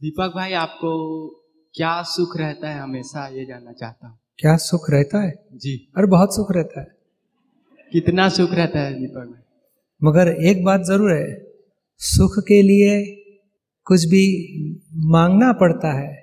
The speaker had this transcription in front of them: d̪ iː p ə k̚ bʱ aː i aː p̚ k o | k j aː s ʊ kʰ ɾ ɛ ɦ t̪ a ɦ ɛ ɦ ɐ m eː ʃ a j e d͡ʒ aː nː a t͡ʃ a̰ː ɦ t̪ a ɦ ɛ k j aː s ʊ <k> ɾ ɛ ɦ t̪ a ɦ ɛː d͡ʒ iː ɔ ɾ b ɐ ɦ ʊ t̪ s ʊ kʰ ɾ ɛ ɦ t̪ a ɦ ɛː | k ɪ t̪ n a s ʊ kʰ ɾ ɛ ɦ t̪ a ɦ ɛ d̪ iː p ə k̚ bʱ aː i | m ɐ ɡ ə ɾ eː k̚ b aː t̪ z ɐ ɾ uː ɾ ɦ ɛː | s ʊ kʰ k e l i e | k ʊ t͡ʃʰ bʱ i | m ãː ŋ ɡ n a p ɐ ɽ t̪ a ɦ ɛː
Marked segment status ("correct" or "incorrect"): incorrect